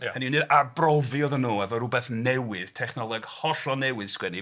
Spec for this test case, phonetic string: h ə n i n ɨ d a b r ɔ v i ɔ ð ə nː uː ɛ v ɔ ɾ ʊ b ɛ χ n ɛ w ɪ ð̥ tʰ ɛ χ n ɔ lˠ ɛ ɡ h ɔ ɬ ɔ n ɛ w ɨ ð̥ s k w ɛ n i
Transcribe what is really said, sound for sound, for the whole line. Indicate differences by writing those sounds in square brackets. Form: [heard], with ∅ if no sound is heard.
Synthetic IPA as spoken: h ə n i n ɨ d a b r ɔ v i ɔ ð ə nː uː ɛ v ɔ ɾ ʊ b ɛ [θ] n ɛ w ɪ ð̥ tʰ ɛ χ n ɔ lˠ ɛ ɡ h ɔ ɬ ɔ n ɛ w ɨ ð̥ s k w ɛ n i